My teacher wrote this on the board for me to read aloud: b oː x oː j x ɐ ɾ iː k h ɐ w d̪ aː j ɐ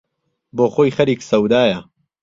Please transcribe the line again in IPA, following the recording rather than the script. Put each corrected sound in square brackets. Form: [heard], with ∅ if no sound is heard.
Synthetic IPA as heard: b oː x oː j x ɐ ɾ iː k [s] ɐ w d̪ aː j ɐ